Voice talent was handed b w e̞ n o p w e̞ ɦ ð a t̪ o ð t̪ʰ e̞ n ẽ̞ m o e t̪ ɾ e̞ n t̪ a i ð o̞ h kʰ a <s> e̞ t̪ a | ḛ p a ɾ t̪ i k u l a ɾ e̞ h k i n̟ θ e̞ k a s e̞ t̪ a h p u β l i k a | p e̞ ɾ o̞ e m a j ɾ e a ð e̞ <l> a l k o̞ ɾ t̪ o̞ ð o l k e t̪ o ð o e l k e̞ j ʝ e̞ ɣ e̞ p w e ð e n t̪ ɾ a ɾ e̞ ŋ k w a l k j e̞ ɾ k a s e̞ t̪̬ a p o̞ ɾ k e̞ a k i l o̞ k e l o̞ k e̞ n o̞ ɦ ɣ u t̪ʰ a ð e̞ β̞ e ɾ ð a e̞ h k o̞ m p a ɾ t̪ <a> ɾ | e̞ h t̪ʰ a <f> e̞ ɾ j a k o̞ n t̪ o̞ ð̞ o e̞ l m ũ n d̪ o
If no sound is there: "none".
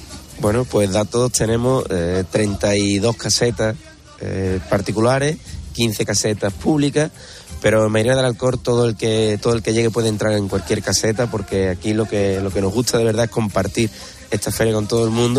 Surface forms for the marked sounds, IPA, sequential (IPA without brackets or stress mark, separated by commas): s, l, i, f